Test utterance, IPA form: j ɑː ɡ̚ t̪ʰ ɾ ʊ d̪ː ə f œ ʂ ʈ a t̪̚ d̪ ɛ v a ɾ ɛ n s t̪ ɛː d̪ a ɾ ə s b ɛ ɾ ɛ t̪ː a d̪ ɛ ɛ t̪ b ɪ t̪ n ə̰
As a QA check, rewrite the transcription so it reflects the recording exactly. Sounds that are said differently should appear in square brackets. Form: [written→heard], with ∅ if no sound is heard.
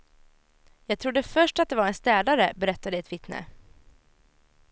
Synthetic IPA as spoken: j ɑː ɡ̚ t̪ʰ ɾ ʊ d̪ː ə f œ ʂ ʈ a t̪̚ d̪ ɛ v a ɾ ɛ n s t̪ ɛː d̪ a ɾ ə [s→∅] b ɛ ɾ ɛ t̪ː a d̪ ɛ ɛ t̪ [b→v] ɪ t̪ n ə̰